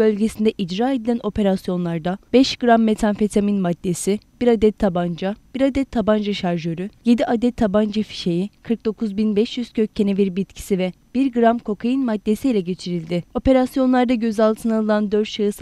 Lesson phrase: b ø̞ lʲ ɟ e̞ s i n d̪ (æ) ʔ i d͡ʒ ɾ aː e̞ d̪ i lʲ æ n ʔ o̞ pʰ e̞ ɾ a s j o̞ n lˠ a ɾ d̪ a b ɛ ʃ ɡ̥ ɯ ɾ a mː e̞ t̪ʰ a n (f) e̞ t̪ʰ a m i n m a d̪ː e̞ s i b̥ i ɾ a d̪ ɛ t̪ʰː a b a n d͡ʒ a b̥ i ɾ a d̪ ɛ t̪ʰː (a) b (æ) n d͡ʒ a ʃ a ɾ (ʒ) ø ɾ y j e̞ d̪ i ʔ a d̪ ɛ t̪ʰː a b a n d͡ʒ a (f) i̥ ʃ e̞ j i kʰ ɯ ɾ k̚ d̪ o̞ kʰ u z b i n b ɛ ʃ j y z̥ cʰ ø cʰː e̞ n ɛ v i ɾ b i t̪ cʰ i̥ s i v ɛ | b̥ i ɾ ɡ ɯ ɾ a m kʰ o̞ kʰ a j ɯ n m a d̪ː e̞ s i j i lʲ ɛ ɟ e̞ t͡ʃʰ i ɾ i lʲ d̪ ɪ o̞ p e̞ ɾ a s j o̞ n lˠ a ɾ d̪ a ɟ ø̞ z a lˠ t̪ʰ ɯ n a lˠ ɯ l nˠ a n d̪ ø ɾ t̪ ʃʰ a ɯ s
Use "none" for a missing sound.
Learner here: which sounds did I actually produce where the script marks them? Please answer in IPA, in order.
ɛ, f, a, a, ʒ, f

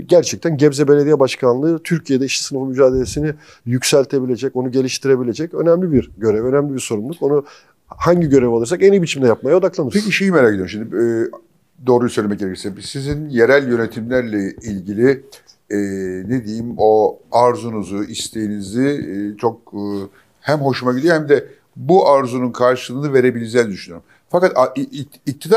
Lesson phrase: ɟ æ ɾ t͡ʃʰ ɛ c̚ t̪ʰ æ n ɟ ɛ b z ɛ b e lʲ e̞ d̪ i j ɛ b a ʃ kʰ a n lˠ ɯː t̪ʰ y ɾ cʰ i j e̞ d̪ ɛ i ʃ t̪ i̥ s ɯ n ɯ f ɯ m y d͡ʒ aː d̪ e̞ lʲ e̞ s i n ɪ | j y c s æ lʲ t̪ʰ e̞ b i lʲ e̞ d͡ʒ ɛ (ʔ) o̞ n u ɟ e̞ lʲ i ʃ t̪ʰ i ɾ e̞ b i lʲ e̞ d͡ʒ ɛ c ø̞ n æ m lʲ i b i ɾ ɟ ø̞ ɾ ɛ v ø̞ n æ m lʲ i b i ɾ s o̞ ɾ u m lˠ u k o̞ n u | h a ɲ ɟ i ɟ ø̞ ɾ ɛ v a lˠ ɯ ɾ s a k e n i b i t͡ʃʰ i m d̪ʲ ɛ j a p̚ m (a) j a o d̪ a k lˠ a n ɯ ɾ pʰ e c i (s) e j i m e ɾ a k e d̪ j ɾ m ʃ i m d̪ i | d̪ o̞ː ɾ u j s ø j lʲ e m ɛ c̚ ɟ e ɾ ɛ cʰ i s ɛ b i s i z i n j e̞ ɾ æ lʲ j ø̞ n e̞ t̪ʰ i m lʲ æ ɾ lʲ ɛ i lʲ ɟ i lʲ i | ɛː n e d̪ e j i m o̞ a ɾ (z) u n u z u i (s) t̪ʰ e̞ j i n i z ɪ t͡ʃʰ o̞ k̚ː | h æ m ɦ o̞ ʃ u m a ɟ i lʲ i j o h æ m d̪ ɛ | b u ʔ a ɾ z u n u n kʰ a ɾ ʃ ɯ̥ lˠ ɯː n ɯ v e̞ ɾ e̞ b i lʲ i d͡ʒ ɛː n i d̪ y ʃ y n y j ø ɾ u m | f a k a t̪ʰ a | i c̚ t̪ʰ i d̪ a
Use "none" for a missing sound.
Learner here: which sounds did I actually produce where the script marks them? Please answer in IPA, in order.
c, a, ʃ, z, s

